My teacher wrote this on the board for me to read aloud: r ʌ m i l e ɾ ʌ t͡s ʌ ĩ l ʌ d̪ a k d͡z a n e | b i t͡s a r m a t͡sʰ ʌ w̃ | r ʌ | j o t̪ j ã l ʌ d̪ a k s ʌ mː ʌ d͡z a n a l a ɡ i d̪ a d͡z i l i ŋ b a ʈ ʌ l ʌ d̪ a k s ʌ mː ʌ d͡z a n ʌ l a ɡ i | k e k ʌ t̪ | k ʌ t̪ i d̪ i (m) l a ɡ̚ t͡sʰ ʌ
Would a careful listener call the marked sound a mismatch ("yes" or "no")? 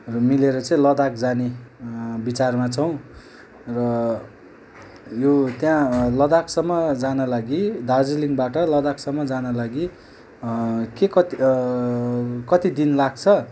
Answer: yes